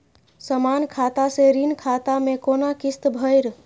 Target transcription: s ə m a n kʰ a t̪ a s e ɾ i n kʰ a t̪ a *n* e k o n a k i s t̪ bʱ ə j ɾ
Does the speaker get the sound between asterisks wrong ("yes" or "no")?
yes